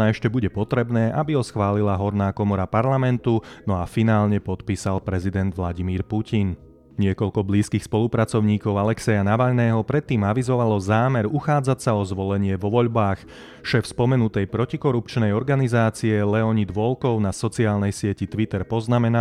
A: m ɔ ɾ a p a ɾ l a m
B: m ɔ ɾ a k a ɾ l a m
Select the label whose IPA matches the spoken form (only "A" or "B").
A